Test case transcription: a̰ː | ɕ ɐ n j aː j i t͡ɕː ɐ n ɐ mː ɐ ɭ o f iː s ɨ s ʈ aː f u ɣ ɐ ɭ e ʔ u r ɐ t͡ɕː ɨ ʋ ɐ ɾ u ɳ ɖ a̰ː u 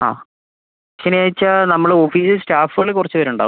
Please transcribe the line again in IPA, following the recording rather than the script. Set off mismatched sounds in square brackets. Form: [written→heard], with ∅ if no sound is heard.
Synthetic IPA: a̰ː | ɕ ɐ n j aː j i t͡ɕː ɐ n ɐ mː ɐ ɭ o f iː s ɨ s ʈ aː f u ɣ ɐ ɭ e [ʔ→k] u r ɐ t͡ɕː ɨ ʋ ɐ ɾ u ɳ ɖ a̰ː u

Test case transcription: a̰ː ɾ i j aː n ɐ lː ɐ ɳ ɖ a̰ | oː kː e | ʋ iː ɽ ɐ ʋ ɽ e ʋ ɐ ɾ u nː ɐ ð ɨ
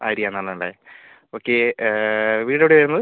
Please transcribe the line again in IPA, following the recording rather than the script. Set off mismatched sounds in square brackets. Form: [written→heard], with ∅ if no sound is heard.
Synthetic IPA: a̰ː ɾ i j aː n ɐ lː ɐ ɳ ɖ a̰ | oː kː e | ʋ iː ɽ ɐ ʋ ɽ e ʋ ɐ ɾ u nː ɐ ð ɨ

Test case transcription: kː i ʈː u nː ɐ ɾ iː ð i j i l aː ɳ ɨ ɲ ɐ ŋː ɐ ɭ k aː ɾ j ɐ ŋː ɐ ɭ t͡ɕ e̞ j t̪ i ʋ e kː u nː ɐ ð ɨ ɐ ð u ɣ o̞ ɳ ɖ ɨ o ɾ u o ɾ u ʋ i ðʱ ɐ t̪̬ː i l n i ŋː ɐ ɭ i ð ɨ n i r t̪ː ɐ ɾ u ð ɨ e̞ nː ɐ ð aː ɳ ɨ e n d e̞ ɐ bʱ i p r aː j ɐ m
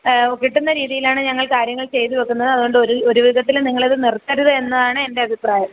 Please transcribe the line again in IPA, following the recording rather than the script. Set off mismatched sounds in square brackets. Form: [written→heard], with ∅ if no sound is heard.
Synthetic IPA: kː i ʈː u nː ɐ ɾ iː ð i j i l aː ɳ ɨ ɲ ɐ ŋː ɐ ɭ k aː ɾ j ɐ ŋː ɐ ɭ t͡ɕ e̞ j t̪ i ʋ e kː u nː ɐ ð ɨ ɐ ð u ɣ o̞ ɳ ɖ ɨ o ɾ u o ɾ u ʋ i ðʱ ɐ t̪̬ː i l n i ŋː ɐ ɭ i ð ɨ n i r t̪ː ɐ ɾ u ð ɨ e̞ nː ɐ ð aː ɳ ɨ e n d e̞ ɐ bʱ i p r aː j ɐ m

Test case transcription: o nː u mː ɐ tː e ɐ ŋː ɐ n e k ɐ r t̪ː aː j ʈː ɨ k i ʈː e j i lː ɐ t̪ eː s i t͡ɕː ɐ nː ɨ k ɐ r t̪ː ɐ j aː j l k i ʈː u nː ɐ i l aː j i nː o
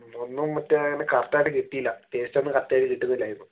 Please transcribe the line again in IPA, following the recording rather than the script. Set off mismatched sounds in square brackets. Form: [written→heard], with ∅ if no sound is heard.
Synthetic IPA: o nː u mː ɐ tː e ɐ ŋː ɐ n e k ɐ r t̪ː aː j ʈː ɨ k i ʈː [e→i] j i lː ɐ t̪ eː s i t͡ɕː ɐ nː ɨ k ɐ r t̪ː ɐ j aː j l k i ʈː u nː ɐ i l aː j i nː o

